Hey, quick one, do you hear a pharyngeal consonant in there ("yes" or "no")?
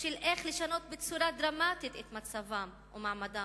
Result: yes